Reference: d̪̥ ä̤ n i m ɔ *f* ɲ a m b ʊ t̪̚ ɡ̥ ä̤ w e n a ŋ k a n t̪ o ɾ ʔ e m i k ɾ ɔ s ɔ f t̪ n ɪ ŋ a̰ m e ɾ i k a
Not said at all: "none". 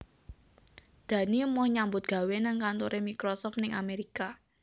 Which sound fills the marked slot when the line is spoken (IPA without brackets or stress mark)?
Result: h